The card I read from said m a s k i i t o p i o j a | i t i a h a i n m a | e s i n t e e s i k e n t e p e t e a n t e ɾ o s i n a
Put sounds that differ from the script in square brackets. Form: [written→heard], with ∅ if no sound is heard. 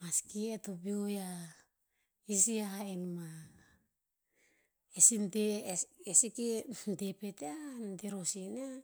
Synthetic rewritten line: m a s k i [i→e] t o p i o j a | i [t→s] i a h a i n m a | e s i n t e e s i k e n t e p e t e a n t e ɾ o s i n a